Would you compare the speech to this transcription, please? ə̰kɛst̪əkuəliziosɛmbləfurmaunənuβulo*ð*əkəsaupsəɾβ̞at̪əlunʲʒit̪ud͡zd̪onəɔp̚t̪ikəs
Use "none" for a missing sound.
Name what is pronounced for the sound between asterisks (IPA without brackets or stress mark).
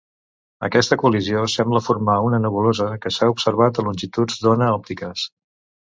z